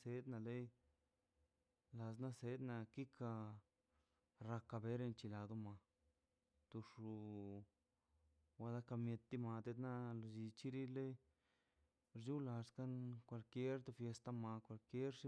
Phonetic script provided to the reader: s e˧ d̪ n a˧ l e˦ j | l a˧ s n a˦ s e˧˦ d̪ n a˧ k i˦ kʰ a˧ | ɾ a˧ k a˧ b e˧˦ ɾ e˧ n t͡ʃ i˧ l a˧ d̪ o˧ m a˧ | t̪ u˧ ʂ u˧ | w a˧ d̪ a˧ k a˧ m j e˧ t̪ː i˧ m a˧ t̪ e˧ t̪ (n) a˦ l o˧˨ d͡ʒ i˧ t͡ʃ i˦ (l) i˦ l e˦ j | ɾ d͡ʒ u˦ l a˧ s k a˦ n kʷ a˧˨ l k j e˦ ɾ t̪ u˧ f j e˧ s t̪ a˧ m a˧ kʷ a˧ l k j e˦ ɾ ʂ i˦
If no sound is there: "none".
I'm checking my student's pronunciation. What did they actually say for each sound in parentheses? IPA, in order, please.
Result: n, ɾ

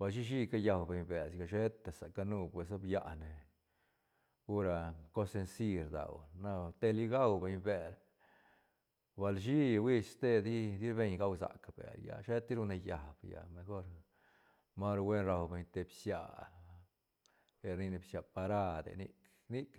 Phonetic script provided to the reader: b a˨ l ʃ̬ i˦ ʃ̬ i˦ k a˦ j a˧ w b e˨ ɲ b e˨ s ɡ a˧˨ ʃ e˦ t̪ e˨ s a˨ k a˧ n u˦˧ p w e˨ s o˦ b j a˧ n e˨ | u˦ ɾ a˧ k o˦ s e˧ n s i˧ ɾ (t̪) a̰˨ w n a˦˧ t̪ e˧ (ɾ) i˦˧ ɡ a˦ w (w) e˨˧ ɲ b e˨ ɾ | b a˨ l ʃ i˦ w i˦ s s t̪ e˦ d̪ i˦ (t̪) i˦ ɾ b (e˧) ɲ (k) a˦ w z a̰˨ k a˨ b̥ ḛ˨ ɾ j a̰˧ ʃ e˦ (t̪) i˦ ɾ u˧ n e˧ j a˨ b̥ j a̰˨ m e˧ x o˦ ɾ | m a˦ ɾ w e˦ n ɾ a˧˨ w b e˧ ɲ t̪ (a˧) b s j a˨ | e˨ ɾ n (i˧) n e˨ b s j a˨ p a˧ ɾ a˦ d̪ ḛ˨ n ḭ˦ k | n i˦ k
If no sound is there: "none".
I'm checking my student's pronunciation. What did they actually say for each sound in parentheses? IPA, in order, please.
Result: d̪, l, b, d̪, e˧, ɡ, t̪, e˧, i˧

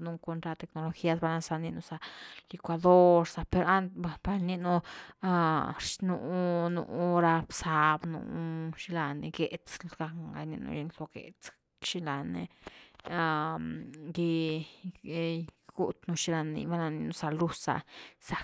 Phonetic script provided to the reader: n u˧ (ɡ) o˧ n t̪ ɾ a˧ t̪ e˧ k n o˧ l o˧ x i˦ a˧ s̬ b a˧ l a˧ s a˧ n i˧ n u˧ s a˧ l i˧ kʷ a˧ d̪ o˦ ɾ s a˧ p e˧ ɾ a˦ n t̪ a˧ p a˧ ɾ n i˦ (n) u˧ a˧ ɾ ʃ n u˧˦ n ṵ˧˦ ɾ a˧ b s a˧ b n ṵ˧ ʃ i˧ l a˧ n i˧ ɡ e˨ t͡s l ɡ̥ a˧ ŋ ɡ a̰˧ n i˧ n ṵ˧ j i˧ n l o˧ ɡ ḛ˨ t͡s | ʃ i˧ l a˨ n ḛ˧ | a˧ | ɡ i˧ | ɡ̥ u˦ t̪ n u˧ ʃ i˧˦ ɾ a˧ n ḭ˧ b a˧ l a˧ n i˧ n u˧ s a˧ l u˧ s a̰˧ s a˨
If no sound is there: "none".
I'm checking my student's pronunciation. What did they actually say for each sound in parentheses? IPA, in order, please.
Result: k, n

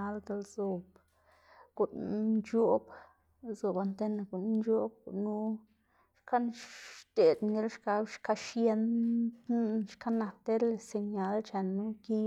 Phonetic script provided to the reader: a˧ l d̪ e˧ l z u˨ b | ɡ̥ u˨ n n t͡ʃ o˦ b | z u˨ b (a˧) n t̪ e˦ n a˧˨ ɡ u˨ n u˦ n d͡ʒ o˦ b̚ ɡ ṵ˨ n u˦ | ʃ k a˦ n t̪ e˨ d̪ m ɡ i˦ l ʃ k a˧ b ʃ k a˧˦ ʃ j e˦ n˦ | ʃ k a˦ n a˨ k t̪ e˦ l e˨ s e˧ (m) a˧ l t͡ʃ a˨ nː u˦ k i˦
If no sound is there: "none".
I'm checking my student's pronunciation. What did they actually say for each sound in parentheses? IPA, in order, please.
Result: a˧, ɲ

